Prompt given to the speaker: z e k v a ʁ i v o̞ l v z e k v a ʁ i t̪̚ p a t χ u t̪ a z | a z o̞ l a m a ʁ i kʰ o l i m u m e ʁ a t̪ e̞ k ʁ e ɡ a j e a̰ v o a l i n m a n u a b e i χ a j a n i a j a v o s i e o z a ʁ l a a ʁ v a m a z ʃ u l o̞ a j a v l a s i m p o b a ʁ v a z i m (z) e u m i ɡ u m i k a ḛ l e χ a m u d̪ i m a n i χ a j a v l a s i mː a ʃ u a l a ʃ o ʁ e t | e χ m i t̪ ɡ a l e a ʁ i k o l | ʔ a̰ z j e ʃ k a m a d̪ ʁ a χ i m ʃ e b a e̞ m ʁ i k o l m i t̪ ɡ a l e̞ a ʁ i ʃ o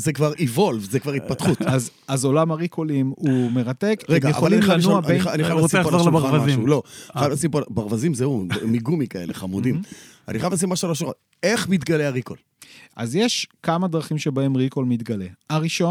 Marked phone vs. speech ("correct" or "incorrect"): correct